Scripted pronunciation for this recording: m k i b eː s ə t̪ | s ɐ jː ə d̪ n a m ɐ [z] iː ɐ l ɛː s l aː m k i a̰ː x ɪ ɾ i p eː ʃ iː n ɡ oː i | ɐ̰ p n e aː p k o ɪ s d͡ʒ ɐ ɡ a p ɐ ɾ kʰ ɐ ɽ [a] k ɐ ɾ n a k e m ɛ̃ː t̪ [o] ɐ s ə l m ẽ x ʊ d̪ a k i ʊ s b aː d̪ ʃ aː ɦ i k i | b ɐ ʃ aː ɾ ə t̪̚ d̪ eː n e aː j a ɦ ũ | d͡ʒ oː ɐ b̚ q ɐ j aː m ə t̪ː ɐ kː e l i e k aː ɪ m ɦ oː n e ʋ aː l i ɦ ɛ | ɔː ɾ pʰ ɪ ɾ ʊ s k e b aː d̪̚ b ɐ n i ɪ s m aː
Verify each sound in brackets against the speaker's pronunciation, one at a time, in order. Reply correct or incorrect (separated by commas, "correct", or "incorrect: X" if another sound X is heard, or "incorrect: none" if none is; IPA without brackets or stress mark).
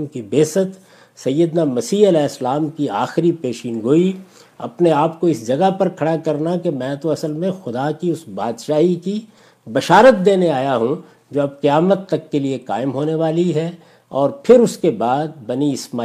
incorrect: s, correct, correct